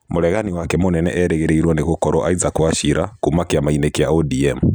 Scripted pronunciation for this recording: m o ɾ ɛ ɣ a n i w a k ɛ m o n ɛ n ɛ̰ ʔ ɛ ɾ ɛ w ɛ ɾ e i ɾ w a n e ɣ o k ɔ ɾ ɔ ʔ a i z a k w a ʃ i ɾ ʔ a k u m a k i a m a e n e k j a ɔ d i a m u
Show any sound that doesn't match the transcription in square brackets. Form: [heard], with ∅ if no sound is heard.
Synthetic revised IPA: m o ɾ ɛ ɣ a n i w a k ɛ m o n ɛ n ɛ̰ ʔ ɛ ɾ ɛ [ɣ] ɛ ɾ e i ɾ w a n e ɣ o k ɔ ɾ ɔ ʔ a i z a k w a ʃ i ɾ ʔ a k u m a k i a m a [i] n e k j a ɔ d i [ɛ] m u

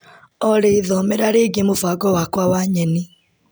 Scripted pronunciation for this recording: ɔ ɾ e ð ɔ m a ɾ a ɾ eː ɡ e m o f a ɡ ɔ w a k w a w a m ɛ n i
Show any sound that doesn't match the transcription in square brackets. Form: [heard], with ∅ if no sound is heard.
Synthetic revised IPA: ɔ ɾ e ð ɔ m [ɛ] ɾ a ɾ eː ɡ e m o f a ɡ ɔ w a k w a w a [ɲ] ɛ n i

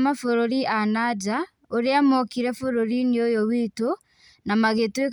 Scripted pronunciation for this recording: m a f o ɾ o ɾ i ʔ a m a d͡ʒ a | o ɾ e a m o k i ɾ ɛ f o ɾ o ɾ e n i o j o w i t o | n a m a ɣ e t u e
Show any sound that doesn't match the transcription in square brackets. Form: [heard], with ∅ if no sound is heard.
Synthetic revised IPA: m a f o ɾ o ɾ i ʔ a [n] a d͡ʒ a | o ɾ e a m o k i ɾ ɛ f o ɾ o ɾ [i] n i o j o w i t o | n a m a ɣ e t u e

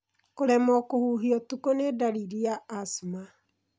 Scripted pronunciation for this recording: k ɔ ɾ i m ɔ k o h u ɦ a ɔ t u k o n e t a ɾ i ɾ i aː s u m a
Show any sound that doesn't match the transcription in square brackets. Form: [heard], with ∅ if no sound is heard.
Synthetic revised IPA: k [o] ɾ [ɛ] m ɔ k o h u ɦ [i] ɔ t u k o n e [d] a ɾ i ɾ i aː s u m a

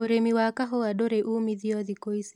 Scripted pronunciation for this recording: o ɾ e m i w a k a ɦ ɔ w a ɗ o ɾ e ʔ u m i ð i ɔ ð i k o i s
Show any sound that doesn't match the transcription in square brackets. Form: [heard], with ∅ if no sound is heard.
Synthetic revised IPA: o ɾ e m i w a k a ɦ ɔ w a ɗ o ɾ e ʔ u m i ð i ɔ ð i k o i s

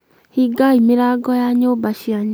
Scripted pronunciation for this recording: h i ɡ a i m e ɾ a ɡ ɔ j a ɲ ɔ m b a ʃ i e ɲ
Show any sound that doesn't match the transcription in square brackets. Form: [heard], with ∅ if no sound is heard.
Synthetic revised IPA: h i ɡ a i m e ɾ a ɡ ɔ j a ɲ [o] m b a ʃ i [a] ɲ

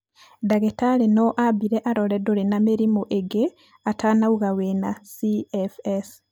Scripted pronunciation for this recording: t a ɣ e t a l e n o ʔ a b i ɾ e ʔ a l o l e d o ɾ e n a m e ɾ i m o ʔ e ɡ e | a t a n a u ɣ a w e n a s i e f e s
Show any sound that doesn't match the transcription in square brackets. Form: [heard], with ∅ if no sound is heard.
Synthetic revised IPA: [d] a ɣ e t a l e n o ʔ a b i ɾ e ʔ a [ɾ] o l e d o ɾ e n a m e ɾ i m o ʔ e ɡ e | a t a n a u ɣ a w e n a s i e f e s

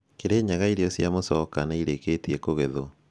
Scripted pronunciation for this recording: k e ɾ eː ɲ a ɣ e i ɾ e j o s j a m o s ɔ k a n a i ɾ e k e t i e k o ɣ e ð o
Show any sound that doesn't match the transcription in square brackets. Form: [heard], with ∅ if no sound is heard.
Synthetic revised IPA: k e ɾ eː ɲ a ɣ [a] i ɾ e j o s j a m o s ɔ k a n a i ɾ e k e t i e k o ɣ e ð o

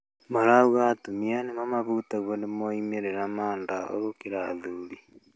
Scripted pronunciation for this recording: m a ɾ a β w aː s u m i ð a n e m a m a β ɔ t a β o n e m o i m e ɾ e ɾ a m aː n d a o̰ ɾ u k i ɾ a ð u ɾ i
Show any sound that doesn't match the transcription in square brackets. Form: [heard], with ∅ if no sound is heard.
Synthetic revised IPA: m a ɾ a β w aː [t] u m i [∅] a n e m a m a β [u] t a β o n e m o i m e ɾ e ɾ a m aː n d a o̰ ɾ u k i ɾ a ð u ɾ i

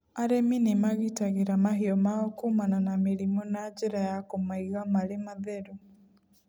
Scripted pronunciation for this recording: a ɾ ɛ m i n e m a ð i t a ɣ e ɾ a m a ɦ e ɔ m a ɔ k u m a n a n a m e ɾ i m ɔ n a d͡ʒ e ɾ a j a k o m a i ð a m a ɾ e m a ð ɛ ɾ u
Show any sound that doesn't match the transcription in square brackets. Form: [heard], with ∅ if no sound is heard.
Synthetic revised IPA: a ɾ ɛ m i n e m a [ɣ] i t a ɣ e ɾ a m a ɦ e ɔ m a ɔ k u m a n a n a m e ɾ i m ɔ n a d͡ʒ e ɾ a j a k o m a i [ɣ] a m a ɾ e m a ð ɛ ɾ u

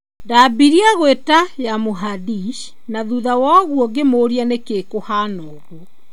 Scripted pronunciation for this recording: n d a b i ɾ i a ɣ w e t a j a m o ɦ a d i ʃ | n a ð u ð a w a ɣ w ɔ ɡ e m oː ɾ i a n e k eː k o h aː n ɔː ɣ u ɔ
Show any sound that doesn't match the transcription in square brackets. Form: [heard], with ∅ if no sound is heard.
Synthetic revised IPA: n d a b i ɾ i a ɣ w e t a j a m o ɦ a d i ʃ | n a ð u ð a w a ɣ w ɔ ɡ e m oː ɾ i a n e k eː k o h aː n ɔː ɣ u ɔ

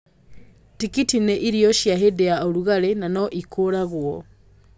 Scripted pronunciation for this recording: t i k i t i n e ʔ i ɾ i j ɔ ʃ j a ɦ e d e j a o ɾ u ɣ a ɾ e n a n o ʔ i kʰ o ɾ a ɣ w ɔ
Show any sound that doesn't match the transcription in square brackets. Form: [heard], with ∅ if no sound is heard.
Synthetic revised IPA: t i k i t i n e ʔ i ɾ i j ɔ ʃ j a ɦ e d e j a o ɾ u ɣ a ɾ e n a n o ʔ i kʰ o ɾ a ɣ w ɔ

